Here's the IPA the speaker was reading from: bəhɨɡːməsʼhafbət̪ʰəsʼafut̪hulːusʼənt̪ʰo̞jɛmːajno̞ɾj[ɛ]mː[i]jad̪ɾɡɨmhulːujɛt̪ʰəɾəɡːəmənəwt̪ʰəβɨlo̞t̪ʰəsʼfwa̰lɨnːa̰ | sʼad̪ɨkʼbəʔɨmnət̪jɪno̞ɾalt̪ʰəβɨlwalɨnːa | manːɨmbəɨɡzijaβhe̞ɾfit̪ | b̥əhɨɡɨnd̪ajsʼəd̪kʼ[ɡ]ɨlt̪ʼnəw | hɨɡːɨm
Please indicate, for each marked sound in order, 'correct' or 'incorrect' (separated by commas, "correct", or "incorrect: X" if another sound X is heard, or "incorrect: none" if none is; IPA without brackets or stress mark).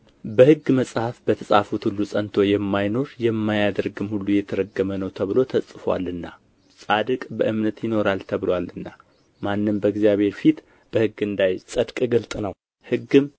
correct, incorrect: a, correct